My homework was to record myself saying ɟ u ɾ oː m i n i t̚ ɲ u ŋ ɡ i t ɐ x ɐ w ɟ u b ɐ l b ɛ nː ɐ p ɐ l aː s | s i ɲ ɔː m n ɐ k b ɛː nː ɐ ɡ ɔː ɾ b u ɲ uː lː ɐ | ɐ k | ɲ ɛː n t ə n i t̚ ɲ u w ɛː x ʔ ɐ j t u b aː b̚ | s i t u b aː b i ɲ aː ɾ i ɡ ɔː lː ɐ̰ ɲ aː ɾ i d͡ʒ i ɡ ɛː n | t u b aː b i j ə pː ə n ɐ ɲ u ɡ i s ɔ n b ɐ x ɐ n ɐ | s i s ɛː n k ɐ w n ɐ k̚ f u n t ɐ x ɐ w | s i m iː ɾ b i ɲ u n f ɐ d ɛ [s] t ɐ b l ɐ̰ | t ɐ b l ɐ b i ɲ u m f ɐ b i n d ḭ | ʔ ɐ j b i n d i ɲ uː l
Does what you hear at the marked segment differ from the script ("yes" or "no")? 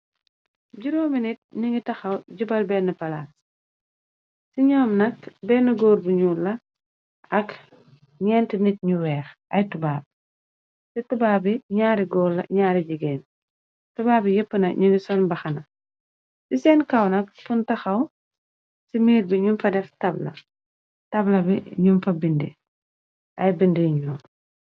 yes